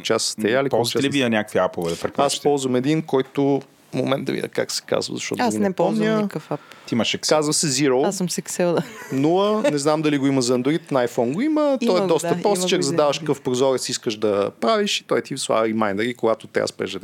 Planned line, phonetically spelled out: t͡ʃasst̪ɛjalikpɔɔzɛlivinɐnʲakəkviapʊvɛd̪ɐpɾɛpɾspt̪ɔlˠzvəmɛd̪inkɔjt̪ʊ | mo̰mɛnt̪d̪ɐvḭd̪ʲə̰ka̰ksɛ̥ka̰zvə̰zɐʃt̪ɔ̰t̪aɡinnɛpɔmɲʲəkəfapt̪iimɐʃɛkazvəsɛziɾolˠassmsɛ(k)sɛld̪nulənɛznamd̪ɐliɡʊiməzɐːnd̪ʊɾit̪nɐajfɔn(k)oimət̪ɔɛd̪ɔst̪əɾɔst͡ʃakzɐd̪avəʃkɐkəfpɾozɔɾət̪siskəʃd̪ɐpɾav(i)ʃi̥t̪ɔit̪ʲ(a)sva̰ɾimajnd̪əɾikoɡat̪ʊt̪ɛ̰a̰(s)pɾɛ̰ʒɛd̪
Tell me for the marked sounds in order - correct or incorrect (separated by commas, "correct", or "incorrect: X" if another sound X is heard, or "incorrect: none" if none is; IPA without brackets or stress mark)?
correct, incorrect: ɡ, correct, incorrect: i, correct